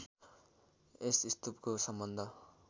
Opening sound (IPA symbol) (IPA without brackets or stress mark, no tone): e